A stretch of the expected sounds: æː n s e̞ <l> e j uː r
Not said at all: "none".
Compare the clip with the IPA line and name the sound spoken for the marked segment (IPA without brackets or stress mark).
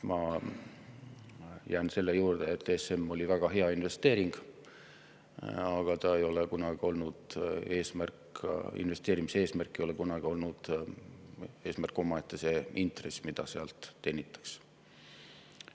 lː